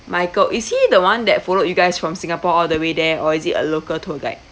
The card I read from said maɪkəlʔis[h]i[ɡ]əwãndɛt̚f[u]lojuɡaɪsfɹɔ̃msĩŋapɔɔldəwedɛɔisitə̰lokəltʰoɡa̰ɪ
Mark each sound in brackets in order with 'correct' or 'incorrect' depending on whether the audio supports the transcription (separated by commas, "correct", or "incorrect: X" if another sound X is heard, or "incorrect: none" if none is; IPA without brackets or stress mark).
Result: correct, incorrect: d, incorrect: ɔ